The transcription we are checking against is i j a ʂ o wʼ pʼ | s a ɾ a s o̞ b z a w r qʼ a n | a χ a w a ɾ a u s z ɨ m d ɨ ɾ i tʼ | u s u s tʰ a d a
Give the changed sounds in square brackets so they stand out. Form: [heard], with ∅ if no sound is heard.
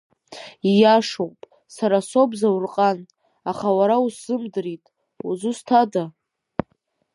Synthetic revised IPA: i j a ʂ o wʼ pʼ | s a ɾ a s o̞ b z a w r qʼ a n | a χ a w a ɾ a u s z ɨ m d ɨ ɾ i tʼ | u [z] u s tʰ a d a